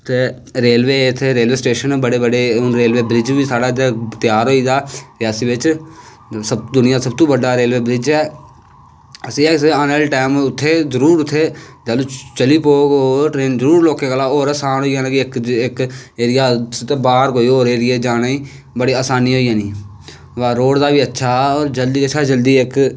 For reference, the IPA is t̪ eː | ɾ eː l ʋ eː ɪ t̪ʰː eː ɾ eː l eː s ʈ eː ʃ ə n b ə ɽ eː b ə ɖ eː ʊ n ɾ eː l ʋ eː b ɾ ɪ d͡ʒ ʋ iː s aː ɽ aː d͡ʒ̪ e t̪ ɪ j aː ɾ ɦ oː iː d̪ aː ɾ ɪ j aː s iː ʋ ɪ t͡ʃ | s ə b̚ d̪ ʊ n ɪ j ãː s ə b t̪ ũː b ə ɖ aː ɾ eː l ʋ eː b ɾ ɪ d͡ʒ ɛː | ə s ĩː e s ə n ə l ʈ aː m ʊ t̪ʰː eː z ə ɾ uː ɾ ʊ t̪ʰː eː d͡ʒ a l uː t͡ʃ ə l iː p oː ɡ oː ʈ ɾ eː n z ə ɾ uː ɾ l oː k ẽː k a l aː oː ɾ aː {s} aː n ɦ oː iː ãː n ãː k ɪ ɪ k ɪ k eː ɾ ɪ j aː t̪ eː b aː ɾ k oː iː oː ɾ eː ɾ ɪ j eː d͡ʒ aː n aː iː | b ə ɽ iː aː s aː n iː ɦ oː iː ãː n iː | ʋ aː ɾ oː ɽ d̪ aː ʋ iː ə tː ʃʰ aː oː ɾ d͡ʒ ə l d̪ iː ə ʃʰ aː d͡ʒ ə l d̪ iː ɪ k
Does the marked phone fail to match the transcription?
no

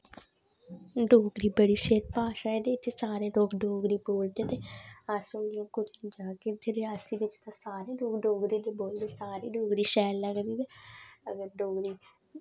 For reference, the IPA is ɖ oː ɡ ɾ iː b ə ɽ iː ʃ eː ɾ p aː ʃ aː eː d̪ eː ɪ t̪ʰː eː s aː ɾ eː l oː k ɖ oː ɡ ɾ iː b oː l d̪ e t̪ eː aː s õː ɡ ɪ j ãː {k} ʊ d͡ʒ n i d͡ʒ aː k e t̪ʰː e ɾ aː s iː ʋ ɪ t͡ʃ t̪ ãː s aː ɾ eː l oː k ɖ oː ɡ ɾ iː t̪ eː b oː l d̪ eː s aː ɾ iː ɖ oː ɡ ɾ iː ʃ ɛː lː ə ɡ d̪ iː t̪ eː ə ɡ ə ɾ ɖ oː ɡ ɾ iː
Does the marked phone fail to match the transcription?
no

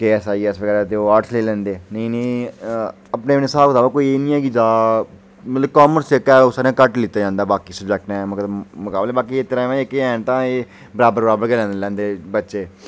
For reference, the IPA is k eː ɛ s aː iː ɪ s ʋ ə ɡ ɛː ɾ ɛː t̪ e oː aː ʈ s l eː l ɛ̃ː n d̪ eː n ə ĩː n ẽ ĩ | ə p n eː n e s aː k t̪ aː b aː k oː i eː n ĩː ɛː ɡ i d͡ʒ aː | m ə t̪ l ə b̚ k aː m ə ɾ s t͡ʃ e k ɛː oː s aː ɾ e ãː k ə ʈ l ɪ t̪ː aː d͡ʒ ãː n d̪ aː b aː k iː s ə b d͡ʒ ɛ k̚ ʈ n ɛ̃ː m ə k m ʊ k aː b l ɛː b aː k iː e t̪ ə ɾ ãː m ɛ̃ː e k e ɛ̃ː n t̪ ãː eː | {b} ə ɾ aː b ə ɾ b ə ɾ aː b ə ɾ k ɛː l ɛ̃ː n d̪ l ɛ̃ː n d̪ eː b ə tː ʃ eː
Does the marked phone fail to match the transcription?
no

